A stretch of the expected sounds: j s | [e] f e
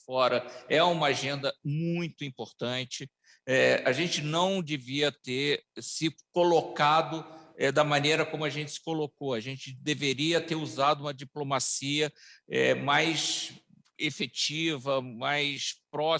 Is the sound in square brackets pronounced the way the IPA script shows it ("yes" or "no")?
yes